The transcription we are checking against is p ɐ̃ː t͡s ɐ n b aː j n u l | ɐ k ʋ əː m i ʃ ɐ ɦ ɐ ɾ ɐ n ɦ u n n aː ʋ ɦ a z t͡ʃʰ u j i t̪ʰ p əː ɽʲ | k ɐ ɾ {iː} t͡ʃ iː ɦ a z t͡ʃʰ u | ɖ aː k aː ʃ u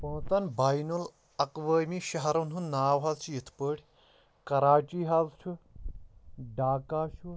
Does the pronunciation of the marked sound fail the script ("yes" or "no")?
yes